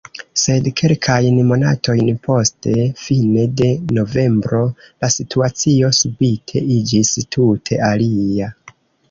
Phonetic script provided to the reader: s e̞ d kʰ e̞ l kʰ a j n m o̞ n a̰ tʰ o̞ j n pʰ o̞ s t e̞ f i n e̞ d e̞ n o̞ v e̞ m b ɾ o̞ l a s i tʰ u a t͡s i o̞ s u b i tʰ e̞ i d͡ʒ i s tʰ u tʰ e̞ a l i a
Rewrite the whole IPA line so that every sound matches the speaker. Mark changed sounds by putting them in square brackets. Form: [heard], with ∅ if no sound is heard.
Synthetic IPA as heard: s e̞ d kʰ e̞ l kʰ a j n m o̞ n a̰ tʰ o̞ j n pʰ o̞ s t e̞ f i n e̞ d e̞ n o̞ v e̞ m b ɾ o̞ l a s i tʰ u a t͡s i o̞ s u b i tʰ e̞ i d͡ʒ i s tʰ u tʰ e̞ a l i a